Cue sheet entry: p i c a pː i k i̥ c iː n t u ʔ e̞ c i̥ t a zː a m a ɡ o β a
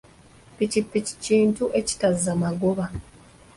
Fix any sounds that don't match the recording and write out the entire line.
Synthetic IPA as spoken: p i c i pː i c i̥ c iː n t u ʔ e̞ c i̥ t a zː a m a ɡ o β a